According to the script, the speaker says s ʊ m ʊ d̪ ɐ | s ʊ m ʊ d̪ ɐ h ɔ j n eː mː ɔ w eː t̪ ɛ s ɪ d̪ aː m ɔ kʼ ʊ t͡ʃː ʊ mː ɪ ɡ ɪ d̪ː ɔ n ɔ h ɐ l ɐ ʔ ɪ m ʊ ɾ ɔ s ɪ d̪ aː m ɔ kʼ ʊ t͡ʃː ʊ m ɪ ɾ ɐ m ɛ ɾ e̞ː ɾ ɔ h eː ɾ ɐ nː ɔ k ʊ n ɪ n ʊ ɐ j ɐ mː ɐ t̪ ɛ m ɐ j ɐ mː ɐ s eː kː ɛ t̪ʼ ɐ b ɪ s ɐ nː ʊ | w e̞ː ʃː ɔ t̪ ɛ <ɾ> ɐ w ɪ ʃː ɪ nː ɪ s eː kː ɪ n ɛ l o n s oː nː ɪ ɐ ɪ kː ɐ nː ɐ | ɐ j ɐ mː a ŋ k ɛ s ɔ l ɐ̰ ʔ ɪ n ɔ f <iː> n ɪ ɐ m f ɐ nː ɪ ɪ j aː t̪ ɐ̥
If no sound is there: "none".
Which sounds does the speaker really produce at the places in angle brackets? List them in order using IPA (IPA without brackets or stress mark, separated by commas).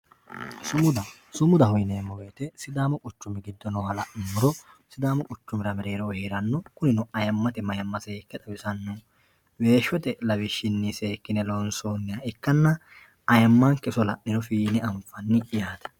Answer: l, iː